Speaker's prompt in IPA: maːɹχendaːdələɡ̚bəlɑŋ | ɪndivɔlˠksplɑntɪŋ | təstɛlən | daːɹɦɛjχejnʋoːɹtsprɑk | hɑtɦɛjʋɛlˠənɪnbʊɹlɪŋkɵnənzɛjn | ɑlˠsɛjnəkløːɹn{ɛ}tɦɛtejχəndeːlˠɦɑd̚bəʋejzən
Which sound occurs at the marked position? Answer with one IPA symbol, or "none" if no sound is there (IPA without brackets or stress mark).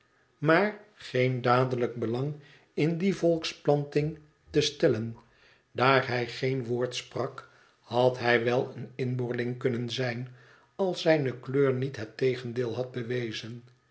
i